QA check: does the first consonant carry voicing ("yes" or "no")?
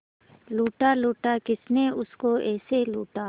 yes